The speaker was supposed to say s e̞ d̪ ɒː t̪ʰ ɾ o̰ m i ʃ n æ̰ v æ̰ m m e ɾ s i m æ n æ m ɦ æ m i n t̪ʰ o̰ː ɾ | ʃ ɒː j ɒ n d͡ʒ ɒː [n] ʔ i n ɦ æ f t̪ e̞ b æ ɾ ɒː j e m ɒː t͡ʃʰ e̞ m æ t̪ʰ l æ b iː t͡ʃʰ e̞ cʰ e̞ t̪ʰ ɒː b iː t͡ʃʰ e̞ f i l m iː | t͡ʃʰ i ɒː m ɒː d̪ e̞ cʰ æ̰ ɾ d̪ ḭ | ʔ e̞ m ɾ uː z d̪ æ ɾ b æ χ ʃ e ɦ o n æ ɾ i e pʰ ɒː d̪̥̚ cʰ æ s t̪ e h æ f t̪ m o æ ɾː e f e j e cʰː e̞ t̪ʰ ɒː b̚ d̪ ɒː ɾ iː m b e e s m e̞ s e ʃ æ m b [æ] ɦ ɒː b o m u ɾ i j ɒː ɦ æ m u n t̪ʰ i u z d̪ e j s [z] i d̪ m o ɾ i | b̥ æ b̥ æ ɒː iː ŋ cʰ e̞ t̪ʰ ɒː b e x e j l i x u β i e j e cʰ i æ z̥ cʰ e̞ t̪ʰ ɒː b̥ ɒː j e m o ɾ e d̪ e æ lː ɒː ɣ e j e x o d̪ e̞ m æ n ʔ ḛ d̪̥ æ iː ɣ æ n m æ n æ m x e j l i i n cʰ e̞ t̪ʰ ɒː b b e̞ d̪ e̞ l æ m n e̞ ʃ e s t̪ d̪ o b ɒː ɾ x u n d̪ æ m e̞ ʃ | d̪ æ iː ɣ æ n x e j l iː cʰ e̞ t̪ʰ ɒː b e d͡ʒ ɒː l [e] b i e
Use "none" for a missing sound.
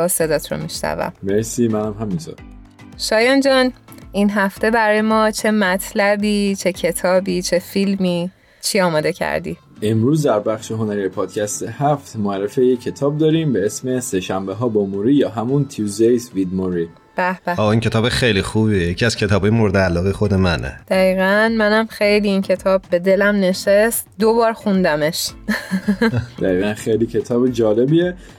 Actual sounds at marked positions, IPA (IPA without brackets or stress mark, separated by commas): n, e, v, e